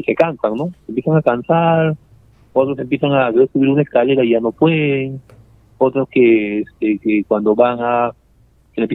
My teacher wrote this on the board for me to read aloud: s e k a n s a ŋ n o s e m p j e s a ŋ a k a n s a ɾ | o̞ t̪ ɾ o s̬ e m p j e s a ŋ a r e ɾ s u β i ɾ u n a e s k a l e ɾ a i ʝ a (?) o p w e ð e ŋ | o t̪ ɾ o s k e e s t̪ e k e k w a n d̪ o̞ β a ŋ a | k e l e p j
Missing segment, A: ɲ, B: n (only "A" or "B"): B